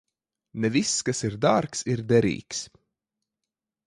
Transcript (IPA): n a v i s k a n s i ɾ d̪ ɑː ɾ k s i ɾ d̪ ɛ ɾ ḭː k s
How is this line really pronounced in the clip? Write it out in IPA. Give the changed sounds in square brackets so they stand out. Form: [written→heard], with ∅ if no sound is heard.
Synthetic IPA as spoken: n [a→ɛ] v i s k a [n→∅] s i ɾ d̪ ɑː ɾ k s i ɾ d̪ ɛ ɾ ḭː k s